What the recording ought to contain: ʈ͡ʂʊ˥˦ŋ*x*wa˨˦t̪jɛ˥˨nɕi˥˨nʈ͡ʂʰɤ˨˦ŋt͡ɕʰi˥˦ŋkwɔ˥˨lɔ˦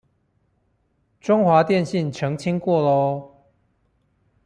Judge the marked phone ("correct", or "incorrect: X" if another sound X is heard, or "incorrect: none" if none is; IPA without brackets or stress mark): correct